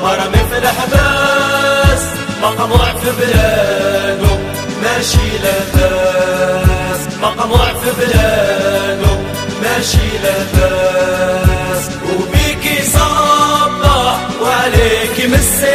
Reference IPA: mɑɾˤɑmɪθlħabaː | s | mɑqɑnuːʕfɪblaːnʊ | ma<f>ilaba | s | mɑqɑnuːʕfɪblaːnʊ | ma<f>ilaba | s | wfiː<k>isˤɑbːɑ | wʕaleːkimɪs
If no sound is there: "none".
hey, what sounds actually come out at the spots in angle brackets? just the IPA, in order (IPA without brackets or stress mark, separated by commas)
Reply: ʃ, ʃ, k